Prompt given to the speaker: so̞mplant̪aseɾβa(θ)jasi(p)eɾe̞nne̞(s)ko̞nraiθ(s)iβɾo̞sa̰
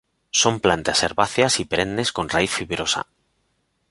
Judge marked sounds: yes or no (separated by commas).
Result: yes, yes, yes, no